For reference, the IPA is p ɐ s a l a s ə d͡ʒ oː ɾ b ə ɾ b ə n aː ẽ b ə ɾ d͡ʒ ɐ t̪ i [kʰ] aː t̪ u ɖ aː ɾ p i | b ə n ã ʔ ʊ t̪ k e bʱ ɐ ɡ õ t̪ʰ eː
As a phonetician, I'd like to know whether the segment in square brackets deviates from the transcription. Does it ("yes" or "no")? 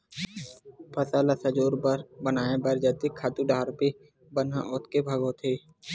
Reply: no